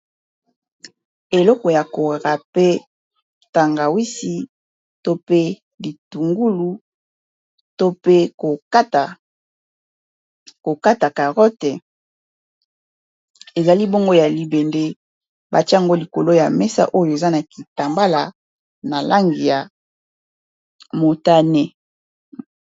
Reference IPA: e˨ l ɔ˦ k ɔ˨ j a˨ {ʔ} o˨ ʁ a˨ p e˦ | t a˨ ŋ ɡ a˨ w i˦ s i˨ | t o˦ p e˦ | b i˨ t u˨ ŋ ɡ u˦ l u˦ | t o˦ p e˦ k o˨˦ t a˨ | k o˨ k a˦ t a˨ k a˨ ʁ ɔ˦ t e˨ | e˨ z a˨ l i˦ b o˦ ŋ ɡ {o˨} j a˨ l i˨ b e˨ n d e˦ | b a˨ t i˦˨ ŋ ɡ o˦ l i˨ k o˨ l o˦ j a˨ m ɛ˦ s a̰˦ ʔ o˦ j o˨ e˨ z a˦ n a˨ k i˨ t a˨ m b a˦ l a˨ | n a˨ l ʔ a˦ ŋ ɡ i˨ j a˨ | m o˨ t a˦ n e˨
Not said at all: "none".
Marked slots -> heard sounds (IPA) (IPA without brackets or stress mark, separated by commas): k, o˦